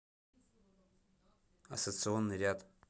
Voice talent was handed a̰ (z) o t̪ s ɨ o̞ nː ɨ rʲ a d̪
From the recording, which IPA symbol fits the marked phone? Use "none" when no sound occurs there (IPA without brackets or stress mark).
s